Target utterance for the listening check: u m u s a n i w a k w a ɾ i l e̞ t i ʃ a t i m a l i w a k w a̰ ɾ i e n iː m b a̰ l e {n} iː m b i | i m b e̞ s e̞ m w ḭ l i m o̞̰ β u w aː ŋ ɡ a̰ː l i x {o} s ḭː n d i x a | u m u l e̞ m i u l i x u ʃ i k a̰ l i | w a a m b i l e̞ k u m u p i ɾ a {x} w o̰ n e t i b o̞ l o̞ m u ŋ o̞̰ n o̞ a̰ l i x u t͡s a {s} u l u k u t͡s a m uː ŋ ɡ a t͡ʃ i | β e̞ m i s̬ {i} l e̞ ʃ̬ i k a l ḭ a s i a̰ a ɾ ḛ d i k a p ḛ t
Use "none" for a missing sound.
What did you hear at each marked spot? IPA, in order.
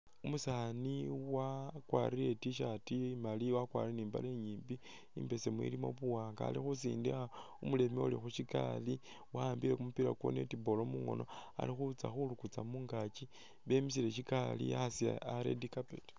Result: ɲ, u, k, x, i

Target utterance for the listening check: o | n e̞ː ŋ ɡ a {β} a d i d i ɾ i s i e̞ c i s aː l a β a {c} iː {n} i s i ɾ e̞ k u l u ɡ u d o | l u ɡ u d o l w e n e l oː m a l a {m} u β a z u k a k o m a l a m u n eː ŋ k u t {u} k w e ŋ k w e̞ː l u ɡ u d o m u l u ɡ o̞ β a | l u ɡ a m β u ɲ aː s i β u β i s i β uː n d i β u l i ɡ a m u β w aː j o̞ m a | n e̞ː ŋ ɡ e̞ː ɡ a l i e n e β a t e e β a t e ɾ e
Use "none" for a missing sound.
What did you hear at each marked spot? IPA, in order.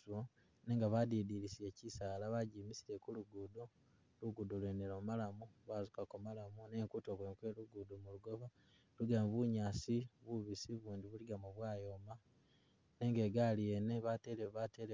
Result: β, ɟ, m, m, o

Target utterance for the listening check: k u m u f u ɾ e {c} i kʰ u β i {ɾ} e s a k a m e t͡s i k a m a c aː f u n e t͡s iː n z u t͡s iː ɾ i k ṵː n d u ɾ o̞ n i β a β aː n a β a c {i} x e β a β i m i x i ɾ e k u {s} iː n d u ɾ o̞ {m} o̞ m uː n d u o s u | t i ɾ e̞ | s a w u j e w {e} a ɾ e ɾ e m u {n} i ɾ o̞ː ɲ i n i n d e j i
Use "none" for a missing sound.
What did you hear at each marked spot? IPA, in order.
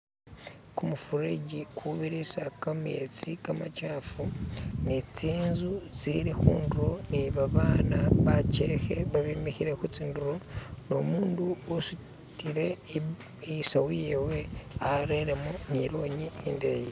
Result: ɟ, ɾ, e, t͡s, n, e, n

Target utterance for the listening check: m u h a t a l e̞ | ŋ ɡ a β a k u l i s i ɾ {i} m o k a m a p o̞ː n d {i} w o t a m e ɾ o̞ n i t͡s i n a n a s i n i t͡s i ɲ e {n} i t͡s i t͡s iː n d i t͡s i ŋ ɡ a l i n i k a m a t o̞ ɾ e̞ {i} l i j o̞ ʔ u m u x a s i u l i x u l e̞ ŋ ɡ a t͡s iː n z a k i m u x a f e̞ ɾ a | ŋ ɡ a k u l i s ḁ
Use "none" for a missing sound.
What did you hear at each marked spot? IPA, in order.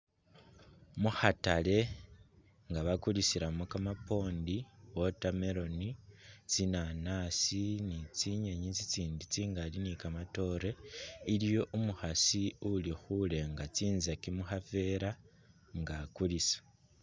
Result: a, i, ɲ, i

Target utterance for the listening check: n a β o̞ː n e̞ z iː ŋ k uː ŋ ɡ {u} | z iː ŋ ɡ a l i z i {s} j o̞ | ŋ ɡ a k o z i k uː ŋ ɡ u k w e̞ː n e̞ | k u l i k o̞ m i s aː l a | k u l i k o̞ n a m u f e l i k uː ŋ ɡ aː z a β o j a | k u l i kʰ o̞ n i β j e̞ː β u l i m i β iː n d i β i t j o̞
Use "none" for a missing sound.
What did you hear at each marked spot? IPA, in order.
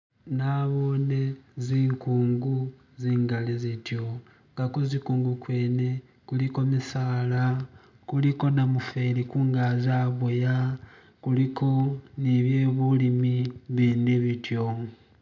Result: u, t

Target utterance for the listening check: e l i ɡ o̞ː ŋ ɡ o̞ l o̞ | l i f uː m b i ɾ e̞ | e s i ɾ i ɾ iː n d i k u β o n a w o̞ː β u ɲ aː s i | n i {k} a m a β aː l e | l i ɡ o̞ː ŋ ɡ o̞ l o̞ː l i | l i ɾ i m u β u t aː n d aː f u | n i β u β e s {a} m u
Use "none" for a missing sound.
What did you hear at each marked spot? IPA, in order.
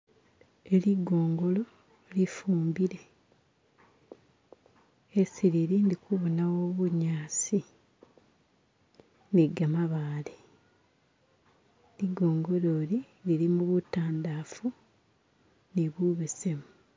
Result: ɡ, e

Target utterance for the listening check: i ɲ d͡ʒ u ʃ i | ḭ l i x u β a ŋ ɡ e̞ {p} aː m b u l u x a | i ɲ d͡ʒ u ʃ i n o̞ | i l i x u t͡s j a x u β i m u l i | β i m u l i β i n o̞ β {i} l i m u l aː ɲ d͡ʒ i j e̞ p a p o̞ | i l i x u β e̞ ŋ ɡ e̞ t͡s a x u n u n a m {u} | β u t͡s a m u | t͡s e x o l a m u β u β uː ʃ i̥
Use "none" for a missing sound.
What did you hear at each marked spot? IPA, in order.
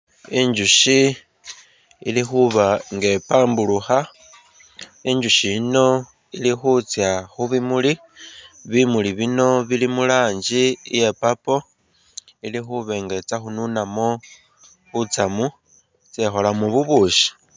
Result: p, i, o

